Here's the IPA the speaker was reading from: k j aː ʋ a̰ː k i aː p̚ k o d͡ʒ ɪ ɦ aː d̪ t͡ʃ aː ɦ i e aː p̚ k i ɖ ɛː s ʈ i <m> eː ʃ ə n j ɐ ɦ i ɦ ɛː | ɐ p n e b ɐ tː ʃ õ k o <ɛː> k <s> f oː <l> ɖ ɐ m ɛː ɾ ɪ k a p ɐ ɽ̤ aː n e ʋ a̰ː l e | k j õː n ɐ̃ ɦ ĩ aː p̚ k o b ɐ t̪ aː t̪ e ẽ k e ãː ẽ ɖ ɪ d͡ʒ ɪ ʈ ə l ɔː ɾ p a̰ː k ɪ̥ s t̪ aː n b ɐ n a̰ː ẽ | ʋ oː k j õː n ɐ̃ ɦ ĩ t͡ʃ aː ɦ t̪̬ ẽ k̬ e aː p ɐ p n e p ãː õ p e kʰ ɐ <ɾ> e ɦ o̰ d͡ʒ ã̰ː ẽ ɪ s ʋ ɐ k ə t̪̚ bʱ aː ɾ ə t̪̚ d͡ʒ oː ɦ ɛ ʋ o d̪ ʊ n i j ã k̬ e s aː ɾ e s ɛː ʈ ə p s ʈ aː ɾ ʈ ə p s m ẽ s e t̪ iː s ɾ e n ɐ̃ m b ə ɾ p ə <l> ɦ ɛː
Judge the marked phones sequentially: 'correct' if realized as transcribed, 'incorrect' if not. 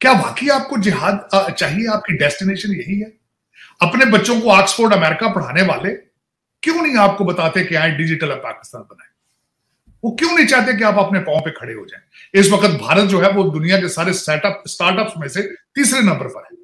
incorrect, incorrect, correct, incorrect, incorrect, incorrect

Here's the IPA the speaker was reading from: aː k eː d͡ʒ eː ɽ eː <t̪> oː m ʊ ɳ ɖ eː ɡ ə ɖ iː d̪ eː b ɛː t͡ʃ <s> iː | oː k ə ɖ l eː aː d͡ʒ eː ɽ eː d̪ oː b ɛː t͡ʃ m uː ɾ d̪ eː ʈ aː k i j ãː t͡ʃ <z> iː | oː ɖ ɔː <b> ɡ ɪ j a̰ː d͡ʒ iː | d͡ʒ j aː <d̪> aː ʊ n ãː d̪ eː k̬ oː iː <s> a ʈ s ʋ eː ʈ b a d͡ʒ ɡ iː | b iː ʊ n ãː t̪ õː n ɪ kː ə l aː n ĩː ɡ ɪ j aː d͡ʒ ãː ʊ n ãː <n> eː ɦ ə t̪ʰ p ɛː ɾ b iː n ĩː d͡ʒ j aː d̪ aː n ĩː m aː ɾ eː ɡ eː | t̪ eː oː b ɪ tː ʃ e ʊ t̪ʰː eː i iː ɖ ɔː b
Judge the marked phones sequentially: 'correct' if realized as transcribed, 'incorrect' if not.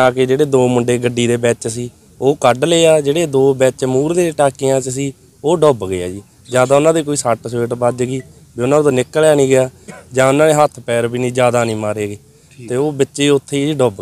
incorrect, correct, incorrect, correct, correct, correct, correct

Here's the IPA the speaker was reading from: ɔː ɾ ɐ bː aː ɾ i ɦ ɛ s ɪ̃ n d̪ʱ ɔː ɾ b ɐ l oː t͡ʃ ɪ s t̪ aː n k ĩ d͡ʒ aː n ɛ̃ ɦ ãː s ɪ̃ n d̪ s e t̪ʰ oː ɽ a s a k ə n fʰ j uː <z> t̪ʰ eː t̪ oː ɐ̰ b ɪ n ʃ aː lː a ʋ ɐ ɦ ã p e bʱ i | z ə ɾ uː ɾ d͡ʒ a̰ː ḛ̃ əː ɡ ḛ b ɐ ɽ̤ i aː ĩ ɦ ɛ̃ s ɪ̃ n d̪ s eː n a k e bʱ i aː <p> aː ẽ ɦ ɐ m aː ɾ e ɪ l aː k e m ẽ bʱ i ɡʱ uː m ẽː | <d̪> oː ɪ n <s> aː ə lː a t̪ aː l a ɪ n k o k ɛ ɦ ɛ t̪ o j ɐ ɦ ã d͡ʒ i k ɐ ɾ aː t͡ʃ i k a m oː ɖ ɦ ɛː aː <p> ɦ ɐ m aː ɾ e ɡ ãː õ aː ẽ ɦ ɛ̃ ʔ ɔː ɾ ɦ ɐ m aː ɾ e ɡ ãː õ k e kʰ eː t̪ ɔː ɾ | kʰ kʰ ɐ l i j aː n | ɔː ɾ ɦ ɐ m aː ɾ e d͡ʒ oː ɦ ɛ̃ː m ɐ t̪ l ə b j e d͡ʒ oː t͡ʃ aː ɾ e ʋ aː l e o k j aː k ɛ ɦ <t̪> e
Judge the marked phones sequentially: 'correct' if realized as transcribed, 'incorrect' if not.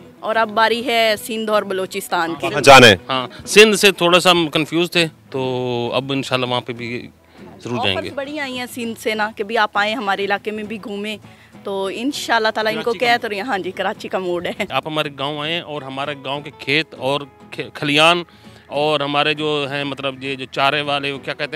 correct, correct, incorrect, incorrect, correct, correct

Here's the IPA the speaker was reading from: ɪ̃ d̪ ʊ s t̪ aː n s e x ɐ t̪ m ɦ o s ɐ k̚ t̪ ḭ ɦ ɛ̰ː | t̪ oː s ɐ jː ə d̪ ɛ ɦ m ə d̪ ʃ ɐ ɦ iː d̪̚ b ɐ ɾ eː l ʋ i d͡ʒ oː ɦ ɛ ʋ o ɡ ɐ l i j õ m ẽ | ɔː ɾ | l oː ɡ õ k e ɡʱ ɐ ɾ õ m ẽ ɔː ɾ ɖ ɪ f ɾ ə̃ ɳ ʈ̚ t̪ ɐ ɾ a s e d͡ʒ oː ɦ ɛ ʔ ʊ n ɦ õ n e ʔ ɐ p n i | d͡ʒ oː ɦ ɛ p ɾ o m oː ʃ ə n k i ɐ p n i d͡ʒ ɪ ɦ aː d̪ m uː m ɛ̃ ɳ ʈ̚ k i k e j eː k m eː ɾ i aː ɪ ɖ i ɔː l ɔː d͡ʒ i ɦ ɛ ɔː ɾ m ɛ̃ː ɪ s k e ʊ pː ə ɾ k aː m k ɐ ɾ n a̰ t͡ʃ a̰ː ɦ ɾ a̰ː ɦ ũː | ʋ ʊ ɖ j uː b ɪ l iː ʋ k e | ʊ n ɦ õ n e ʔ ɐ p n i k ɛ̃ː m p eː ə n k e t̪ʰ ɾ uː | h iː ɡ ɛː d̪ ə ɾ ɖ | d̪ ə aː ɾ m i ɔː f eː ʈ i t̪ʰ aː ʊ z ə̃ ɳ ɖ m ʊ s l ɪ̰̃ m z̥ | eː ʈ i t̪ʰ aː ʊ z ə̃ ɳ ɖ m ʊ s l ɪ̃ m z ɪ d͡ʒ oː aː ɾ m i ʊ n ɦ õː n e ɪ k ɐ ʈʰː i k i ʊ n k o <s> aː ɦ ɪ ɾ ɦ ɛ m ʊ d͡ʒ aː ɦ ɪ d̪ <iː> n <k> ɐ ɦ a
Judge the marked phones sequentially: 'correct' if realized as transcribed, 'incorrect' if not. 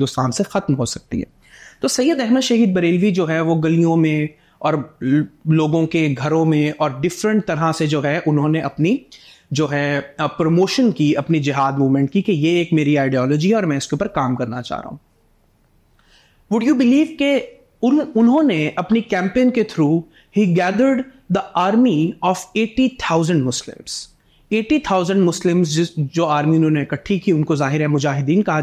incorrect, correct, correct

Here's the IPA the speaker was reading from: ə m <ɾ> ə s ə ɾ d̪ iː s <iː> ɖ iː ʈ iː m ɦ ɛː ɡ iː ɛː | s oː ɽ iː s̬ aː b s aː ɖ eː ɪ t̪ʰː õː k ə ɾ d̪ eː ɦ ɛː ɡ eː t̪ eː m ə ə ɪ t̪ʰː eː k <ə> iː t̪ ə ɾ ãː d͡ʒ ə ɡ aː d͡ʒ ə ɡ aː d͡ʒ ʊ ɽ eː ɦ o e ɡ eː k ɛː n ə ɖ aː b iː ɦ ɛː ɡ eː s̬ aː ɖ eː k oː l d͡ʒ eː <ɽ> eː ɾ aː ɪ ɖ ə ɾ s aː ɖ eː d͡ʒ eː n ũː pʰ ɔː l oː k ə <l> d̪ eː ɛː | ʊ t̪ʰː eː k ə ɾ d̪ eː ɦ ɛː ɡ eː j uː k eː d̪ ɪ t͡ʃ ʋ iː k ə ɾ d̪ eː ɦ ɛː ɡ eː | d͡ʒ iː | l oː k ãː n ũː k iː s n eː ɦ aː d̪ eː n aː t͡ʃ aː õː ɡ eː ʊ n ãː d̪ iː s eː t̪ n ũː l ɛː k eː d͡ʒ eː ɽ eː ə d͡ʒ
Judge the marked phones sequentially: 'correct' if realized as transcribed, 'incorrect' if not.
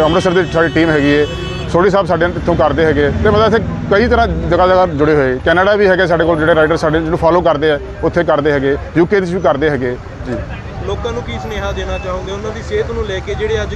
correct, incorrect, correct, correct, incorrect

